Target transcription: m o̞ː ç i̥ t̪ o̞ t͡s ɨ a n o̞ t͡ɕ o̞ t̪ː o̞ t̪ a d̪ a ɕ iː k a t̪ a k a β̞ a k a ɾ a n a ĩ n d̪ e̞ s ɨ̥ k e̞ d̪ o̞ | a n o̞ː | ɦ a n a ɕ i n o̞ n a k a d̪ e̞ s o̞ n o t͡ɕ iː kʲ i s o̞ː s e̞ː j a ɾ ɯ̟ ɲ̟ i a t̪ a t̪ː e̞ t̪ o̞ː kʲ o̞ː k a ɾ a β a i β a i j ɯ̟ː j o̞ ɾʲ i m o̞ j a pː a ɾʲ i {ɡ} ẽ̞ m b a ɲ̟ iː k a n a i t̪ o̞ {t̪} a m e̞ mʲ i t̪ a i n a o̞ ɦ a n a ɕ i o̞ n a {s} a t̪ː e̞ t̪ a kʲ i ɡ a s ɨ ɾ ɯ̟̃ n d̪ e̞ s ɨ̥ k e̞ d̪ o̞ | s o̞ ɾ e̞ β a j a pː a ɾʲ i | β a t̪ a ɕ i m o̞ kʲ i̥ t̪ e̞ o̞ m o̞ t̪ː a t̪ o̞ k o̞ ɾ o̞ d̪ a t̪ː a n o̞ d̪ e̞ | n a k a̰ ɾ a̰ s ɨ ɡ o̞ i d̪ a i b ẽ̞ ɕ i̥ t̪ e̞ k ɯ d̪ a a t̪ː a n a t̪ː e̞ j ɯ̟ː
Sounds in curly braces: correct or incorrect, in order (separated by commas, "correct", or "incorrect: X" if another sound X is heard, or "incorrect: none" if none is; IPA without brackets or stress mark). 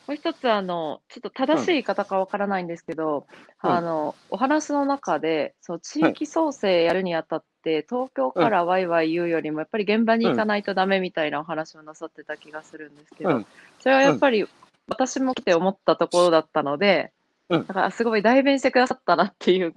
correct, incorrect: d̪, correct